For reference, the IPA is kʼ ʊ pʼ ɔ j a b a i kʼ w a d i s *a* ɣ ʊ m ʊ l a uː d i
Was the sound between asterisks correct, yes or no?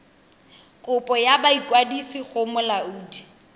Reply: no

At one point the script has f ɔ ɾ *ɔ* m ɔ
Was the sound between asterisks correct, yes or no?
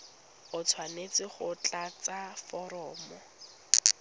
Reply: no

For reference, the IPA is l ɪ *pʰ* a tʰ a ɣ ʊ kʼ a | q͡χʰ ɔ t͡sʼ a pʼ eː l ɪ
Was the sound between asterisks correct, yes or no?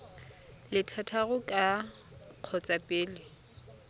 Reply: no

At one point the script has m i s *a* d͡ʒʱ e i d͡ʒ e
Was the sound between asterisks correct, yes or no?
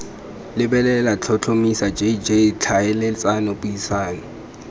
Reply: yes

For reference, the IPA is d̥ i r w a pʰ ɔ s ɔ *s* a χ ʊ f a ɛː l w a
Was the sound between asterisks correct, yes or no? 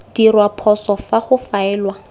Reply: no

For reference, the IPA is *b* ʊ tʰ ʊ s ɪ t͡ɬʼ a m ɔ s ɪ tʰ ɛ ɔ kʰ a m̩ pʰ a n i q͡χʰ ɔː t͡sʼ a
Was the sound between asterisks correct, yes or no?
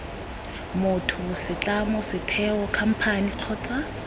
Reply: no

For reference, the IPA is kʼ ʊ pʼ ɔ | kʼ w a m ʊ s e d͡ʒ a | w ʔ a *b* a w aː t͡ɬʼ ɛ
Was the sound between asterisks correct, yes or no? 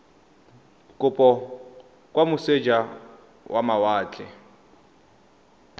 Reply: no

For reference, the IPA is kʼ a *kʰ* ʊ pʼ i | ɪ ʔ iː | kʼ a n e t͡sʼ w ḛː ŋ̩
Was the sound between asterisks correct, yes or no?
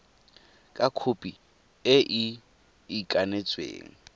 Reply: yes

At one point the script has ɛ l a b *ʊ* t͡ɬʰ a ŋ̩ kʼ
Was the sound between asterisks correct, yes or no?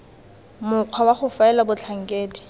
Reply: yes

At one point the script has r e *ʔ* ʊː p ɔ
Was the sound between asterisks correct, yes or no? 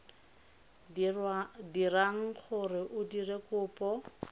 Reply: no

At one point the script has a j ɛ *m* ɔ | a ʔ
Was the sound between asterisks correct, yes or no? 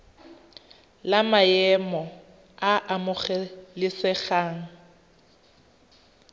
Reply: yes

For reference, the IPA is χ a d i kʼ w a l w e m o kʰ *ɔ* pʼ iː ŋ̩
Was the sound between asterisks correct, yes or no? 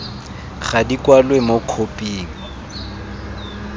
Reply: no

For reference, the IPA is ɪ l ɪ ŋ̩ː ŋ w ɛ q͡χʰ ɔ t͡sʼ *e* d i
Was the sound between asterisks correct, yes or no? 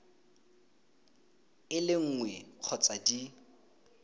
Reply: no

